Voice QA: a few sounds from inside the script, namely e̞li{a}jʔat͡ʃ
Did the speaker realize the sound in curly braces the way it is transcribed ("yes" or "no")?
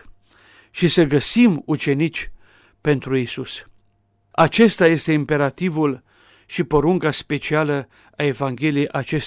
no